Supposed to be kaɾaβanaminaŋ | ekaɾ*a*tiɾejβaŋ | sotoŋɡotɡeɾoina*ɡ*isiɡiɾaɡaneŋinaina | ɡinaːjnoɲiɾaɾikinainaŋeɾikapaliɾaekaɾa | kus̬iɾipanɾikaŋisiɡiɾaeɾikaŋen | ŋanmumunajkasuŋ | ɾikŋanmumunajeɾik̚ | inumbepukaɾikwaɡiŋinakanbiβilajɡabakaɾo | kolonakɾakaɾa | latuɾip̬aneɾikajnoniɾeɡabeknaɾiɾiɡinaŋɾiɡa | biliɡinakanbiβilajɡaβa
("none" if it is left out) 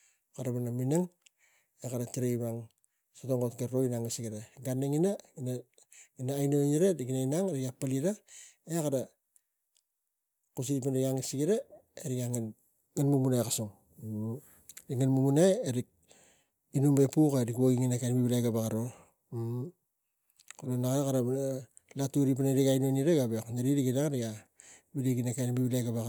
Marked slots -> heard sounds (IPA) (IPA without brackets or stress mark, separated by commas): a, ŋ